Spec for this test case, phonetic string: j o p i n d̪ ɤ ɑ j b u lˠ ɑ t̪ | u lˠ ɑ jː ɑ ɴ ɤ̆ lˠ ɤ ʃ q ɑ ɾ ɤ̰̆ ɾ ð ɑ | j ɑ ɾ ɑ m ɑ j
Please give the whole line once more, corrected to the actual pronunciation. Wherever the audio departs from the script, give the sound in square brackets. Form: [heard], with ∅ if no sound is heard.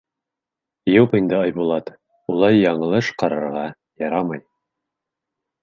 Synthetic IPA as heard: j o p i n d̪ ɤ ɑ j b u lˠ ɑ t̪ | u lˠ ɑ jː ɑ ɴ ɤ̆ lˠ ɤ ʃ q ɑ ɾ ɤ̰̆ ɾ [ʁ] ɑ | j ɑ ɾ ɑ m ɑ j

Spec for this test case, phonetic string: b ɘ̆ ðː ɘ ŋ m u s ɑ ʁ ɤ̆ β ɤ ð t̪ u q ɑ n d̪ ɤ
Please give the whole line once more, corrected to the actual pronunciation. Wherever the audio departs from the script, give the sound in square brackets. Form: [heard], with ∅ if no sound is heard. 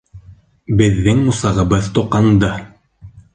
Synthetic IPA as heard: b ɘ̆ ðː ɘ ŋ m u s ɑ ʁ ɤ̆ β ɤ ð t̪ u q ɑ n d̪ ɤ

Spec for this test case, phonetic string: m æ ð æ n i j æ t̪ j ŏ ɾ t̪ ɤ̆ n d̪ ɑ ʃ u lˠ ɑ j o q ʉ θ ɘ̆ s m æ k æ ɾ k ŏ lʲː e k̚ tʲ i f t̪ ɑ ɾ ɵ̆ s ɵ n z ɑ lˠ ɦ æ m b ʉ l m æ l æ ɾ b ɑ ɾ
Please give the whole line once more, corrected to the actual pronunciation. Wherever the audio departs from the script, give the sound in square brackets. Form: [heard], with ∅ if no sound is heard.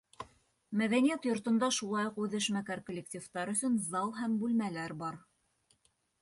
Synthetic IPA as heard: m æ ð æ n i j æ t̪ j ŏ ɾ t̪ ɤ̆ n d̪ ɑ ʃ u lˠ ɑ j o q ʉ [ð] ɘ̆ [ʃ] m æ k æ ɾ k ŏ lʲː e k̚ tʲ i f t̪ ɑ ɾ ɵ̆ s ɵ n z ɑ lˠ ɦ æ m b ʉ l m æ l æ ɾ b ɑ ɾ

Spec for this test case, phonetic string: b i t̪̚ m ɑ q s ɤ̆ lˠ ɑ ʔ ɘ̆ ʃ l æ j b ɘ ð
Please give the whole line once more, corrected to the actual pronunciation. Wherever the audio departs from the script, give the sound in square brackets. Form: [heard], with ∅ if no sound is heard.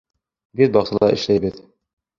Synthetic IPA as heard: b i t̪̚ [b] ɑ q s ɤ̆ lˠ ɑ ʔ ɘ̆ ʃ l æ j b ɘ ð

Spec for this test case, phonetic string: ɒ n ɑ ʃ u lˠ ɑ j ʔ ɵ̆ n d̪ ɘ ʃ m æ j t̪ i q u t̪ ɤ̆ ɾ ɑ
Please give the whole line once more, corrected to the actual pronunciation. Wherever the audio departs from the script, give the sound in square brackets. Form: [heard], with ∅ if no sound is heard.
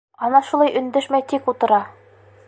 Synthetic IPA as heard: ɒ n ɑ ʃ u lˠ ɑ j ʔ ɵ̆ n d̪ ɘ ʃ m æ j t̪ i [k] u t̪ ɤ̆ ɾ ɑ

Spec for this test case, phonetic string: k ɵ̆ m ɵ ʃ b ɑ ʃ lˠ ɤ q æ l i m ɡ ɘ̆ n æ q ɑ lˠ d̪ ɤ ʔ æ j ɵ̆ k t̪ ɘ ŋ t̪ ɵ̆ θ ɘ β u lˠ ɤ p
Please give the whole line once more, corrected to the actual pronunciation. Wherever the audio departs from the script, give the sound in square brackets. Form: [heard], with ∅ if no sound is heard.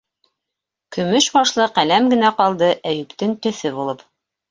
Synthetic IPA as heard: k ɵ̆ m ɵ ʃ b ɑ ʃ lˠ ɤ q æ l [æ] m ɡ ɘ̆ n æ q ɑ lˠ d̪ ɤ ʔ æ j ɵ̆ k t̪ ɘ ŋ t̪ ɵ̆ θ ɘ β u lˠ ɤ p

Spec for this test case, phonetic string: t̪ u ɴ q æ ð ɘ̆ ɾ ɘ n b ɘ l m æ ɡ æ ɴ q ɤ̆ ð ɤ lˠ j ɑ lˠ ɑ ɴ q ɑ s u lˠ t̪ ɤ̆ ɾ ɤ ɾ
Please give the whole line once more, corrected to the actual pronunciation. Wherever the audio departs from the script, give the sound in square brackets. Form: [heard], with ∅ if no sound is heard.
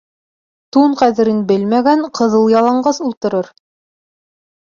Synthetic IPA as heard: t̪ u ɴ q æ ð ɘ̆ ɾ ɘ n b ɘ l m æ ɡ æ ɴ q ɤ̆ ð ɤ lˠ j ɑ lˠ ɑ ɴ [ɢ] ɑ s u lˠ t̪ ɤ̆ ɾ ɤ ɾ

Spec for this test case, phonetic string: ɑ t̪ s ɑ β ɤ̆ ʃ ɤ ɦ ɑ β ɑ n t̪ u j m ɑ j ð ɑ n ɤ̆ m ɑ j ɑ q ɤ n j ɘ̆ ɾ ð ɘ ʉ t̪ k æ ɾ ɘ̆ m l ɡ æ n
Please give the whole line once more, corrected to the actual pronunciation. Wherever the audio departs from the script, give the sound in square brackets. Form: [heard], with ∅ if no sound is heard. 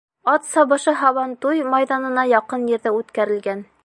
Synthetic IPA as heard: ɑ t̪ s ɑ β ɤ̆ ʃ ɤ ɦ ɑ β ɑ n t̪ u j m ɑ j ð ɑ n ɤ̆ [n] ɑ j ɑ q ɤ n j ɘ̆ ɾ ð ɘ ʉ t̪ k æ ɾ ɘ̆ [∅] l ɡ æ n

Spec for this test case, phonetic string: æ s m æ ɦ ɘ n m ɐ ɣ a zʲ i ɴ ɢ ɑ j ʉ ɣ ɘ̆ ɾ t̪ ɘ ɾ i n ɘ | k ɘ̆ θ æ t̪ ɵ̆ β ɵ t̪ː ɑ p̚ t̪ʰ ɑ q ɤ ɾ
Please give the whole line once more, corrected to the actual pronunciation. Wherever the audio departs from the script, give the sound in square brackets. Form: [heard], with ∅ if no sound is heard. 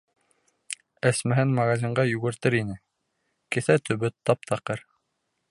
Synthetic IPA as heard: æ s m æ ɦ ɘ n m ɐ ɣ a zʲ i ɴ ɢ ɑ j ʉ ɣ ɘ̆ ɾ t̪ ɘ ɾ i n ɘ | k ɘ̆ θ æ t̪ ɵ̆ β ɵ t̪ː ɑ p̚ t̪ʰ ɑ q ɤ ɾ

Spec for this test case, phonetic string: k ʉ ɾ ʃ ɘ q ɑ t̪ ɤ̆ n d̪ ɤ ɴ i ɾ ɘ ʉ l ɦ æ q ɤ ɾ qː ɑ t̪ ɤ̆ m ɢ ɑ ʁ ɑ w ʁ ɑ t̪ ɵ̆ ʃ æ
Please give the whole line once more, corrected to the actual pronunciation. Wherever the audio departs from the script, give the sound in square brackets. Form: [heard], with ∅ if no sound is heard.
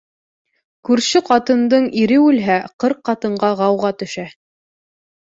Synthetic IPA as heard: k ʉ ɾ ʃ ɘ q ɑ t̪ ɤ̆ n d̪ ɤ ɴ i ɾ ɘ ʉ l ɦ æ q ɤ ɾ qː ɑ t̪ ɤ̆ [ɴ] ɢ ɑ ʁ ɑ w ʁ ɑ t̪ ɵ̆ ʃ æ

